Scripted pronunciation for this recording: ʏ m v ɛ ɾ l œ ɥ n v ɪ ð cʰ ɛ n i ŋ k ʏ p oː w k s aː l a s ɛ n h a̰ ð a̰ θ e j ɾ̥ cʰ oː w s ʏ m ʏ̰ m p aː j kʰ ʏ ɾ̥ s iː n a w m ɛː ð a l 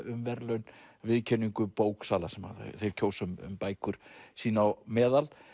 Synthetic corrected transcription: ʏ m v ɛ ɾ l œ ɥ n v ɪ ð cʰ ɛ n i ŋ k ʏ p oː w k s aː l a s ɛ m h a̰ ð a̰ θ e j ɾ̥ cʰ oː w s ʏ m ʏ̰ m p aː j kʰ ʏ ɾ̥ s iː n a w m ɛː ð a l